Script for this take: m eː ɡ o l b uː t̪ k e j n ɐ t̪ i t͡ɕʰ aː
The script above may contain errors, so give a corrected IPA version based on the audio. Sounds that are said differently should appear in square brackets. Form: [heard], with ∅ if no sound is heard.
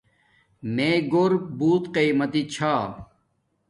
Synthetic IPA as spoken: m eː ɡ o [ɾ] b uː t̪ [q] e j [m] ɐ t̪ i t͡ɕʰ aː